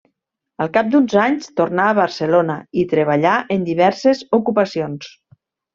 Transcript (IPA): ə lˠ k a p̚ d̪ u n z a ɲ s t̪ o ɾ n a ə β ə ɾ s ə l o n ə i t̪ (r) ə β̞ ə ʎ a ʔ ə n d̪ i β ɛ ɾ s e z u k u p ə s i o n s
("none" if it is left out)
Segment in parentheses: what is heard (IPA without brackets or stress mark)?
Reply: ɾ